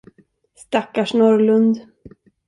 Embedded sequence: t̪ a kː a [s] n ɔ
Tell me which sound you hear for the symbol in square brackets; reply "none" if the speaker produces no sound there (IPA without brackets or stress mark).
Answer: ʂ